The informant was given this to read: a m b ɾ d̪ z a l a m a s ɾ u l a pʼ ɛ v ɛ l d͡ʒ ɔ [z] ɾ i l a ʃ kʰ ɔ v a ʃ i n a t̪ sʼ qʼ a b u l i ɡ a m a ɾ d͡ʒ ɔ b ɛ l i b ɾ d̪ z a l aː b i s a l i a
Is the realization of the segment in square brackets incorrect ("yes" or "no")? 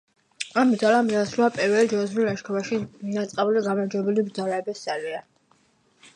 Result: no